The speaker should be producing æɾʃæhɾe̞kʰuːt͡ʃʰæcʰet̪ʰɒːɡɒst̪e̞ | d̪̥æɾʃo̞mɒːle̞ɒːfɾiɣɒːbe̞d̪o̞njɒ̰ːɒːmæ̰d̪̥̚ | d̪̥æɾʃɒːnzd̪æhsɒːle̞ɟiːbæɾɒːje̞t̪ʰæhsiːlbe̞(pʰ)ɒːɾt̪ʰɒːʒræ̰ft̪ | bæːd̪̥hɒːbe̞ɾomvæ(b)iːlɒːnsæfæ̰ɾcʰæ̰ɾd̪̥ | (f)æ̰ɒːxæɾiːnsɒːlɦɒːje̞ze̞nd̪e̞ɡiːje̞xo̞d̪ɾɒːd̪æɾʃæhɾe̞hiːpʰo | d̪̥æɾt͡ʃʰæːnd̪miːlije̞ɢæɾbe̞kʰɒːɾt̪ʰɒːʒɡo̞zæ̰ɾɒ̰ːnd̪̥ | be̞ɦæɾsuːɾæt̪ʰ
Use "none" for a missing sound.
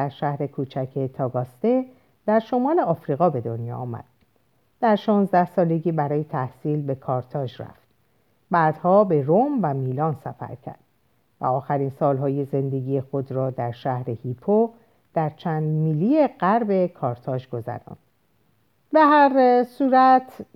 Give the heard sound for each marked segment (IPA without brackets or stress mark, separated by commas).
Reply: kʰ, m, v